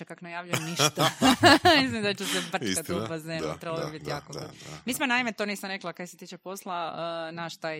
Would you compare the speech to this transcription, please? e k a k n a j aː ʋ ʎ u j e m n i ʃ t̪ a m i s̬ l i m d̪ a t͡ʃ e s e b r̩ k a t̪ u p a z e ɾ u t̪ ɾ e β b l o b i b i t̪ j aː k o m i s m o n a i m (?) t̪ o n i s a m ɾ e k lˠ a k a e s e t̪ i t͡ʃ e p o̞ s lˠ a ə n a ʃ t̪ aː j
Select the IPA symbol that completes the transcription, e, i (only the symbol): e